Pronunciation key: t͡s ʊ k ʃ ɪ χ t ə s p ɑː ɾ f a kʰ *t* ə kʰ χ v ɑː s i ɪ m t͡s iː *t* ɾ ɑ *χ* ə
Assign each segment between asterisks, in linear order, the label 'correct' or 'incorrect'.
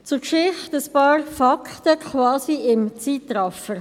correct, correct, incorrect

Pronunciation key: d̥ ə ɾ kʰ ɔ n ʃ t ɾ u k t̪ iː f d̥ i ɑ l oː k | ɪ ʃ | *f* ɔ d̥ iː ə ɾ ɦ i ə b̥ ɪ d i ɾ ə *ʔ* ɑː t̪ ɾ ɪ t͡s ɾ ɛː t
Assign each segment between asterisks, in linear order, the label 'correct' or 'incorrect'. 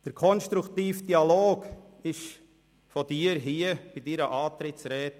correct, correct

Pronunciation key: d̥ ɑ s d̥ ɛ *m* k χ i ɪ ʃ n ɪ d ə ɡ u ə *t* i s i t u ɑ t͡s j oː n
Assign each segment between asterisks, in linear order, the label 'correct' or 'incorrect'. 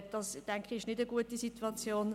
incorrect, correct

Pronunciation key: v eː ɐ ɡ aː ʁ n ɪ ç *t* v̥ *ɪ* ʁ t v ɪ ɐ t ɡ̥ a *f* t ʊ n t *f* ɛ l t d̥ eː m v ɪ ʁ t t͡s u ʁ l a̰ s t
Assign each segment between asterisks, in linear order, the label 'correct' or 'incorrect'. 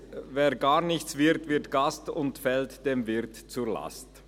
incorrect, correct, incorrect, correct

